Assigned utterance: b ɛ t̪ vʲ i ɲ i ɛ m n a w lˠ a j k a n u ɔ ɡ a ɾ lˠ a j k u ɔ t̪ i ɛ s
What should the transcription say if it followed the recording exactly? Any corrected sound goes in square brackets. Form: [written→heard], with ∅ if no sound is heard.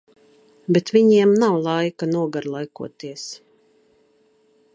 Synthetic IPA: b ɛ t̪ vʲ i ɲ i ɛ m n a w lˠ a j k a n u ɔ ɡ a ɾ lˠ a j k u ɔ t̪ i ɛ s